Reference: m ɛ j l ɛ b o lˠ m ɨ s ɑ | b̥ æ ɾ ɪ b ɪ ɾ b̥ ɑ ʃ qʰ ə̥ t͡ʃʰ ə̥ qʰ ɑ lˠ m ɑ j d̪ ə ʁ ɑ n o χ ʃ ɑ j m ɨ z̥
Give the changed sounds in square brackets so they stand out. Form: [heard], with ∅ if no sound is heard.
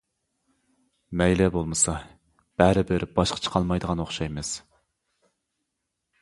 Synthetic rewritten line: m ɛ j l ɛ b o lˠ m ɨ s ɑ | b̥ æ ɾ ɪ b ɪ ɾ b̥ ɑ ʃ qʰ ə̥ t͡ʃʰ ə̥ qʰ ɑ lˠ m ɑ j d̪ ə ʁ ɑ n o χ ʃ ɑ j m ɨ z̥